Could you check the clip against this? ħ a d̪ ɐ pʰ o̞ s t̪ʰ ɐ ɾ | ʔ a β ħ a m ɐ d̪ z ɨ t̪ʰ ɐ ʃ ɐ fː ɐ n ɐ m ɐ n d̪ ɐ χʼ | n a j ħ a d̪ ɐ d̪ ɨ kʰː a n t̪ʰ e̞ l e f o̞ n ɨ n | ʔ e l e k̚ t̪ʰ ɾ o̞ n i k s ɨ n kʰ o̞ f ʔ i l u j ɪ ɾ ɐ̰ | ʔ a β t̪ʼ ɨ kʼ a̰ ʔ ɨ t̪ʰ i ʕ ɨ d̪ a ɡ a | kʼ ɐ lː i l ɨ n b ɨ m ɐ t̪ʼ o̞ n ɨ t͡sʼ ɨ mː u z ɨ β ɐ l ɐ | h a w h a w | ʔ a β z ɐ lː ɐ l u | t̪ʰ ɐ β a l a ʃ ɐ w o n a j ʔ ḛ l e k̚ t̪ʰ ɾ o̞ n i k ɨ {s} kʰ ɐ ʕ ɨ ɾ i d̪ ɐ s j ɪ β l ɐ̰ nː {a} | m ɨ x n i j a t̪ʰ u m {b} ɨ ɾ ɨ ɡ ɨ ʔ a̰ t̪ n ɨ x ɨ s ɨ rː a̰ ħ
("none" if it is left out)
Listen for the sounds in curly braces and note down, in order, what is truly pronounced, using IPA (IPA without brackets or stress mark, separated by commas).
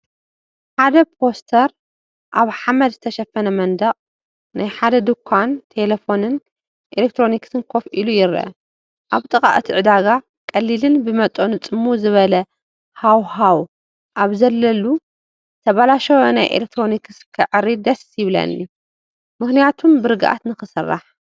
s, i, b